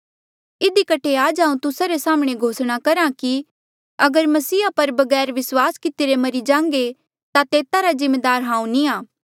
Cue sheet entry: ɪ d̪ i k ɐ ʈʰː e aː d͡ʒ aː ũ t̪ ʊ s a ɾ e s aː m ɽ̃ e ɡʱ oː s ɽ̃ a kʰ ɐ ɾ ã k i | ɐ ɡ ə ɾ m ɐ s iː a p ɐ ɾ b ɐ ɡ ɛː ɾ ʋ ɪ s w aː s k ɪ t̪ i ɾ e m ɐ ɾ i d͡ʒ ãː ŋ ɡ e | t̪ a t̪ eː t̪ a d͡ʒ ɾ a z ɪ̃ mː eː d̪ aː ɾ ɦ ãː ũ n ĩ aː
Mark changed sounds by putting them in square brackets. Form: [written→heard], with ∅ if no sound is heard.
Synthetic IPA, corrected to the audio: ɪ d̪ i k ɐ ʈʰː e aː d͡ʒ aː ũ t̪ ʊ s a ɾ e s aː m ɽ̃ e ɡʱ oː s ɽ̃ a [kʰ→k] ɐ ɾ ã k i | ɐ ɡ ə ɾ m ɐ s iː a p ɐ ɾ b ɐ ɡ ɛː ɾ ʋ ɪ s w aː s k ɪ t̪ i ɾ e m ɐ ɾ i d͡ʒ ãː ŋ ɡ e | t̪ a t̪ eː t̪ a [d͡ʒ→∅] ɾ a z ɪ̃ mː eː d̪ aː ɾ ɦ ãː ũ n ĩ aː